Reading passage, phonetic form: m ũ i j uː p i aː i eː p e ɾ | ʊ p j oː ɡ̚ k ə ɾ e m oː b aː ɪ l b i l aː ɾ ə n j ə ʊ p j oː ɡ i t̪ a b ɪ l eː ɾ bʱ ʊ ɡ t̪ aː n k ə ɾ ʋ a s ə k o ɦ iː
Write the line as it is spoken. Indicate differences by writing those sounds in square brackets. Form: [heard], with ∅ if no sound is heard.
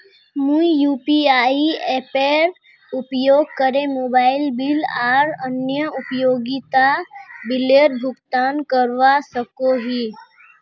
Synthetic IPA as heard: m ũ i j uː p i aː i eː p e ɾ | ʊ p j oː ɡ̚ k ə ɾ e m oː b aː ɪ l b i l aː ɾ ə n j ə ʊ p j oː ɡ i t̪ a b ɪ l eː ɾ bʱ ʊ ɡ t̪ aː n k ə ɾ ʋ a s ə k o ɦ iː